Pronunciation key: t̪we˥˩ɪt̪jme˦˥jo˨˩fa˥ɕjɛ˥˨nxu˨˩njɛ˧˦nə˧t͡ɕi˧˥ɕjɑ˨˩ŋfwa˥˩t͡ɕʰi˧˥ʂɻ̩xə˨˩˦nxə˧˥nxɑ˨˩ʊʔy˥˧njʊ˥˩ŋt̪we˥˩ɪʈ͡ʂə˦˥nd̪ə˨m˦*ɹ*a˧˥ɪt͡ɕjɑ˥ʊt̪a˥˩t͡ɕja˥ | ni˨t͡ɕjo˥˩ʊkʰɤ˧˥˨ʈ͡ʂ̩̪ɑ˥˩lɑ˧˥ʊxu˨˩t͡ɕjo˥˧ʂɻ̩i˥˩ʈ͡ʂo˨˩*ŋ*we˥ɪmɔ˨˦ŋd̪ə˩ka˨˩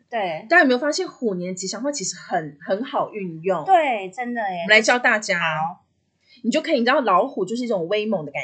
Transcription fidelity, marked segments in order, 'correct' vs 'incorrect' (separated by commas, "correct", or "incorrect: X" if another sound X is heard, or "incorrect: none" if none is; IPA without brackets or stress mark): incorrect: l, correct